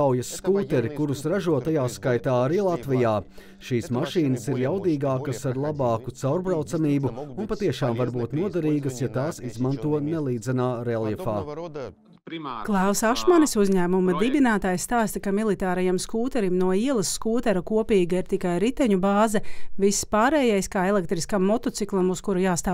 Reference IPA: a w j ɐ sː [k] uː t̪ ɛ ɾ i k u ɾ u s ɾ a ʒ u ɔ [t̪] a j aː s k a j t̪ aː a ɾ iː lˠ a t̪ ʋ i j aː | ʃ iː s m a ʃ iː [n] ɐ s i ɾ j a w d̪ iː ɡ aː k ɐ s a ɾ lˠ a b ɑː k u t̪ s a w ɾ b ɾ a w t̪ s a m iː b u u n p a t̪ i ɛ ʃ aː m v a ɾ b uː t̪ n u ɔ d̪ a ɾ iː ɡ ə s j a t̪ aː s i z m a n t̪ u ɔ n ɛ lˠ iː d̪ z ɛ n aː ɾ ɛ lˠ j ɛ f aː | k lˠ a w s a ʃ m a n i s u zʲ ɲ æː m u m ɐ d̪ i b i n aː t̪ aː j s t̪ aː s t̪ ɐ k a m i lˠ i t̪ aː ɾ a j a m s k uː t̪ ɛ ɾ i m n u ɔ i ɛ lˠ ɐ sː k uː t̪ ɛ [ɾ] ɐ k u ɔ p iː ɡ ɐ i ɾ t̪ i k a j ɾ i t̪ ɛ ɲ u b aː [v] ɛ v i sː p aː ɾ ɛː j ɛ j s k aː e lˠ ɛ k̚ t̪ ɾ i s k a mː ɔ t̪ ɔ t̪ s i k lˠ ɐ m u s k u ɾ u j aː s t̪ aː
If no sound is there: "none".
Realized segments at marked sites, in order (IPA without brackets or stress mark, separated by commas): k, t̪, n, ɾ, z